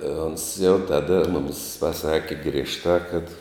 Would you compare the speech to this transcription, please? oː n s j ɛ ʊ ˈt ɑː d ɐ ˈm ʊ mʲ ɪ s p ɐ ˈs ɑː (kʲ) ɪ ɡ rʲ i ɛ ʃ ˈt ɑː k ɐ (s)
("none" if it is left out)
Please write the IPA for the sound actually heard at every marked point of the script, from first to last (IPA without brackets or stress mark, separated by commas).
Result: kʲ, t